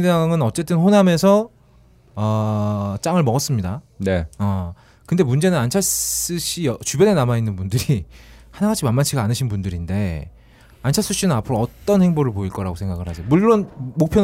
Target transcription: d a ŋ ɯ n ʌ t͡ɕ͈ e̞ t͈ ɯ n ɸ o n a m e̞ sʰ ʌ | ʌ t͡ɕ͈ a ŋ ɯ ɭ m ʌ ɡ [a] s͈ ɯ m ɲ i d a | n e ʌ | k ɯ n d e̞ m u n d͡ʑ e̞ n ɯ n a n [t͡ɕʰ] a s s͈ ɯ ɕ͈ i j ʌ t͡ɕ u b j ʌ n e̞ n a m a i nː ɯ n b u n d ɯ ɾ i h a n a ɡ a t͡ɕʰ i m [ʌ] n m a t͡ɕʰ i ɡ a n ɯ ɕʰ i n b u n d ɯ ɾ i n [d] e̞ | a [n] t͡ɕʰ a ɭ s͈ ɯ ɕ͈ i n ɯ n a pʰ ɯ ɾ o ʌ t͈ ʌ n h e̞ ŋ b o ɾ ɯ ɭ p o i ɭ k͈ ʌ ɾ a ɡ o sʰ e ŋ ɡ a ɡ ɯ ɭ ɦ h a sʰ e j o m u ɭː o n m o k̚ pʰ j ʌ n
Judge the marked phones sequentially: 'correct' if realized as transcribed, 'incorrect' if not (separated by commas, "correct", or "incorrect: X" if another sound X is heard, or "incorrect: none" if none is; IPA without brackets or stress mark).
incorrect: ʌ, correct, incorrect: a, correct, correct